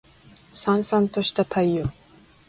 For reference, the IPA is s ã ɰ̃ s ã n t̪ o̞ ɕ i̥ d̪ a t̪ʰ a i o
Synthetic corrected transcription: s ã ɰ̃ s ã n t̪ o̞ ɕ i̥ t̪ a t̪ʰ a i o

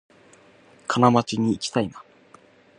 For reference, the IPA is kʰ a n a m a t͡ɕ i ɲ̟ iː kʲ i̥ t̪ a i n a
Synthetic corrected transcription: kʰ a n a m a t͡ɕ i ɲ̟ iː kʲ i̥ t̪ a i n a

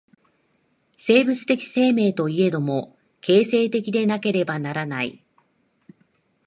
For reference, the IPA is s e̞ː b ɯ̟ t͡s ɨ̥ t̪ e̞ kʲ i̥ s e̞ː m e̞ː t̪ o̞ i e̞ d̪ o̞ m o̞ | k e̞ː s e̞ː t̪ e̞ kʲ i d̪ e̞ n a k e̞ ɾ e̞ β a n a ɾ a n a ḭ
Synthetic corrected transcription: s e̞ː b ɯ̟ t͡s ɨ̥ t̪ e̞ kʲ i̥ s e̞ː m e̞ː t̪ o̞ i e̞ d̪ o̞ m o̞ | k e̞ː s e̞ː t̪ e̞ kʲ i d̪ e̞ n a k e̞ ɾ e̞ b a n a ɾ a n a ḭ

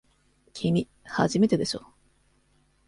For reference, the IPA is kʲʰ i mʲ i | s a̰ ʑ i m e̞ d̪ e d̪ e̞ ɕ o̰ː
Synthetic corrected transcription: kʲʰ i mʲ i | h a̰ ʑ i m e̞ t̪ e d̪ e̞ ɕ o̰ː

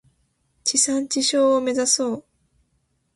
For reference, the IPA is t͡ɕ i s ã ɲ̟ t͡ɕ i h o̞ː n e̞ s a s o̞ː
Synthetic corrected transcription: t͡ɕ i s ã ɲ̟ t͡ɕ i ɕ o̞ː m e̞ z a s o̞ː

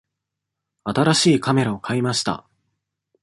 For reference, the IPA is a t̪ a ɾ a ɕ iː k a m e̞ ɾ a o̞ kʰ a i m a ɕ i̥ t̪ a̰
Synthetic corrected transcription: a t̪ a ɾ a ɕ iː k a m e̞ ɾ a o̞ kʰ a i m a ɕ i̥ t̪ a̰

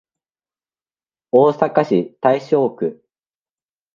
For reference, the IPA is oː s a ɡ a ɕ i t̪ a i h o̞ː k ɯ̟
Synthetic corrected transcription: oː s a k a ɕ i t̪ a i ɕ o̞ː k ɯ̟

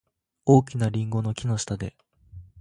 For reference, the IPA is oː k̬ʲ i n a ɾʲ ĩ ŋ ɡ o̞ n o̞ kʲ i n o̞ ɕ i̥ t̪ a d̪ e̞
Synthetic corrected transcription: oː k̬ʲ i n a ɾʲ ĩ ŋ ɡ o̞ n o̞ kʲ i n o̞ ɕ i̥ t̪ a d̪ e̞

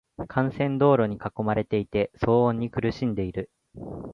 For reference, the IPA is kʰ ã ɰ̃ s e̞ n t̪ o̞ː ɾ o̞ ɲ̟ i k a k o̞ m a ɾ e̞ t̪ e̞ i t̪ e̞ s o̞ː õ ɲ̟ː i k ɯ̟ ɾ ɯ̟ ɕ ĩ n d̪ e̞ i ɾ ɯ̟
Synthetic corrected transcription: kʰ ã ɰ̃ s ẽ̞ n d̪ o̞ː ɾ o̞ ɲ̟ i k a k o̞ m a ɾ e̞ t̪ e̞ i t̪ e̞ s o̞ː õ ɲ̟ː i k ɯ̟ ɾ ɯ̟ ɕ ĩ n d̪ e̞ i ɾ ɯ̟

